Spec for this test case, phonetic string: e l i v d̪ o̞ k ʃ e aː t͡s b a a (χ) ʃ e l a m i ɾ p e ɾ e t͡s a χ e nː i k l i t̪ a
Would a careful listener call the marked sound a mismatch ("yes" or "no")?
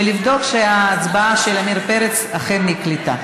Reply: yes